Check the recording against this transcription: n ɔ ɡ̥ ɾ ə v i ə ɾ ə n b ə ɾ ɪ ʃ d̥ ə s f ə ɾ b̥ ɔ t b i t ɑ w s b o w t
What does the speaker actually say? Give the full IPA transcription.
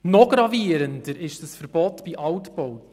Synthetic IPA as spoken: n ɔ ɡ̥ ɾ ɑ v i ə ɾ ə n d ə ɾ ɪ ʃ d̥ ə s f ə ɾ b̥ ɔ t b i ʔ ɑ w t b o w t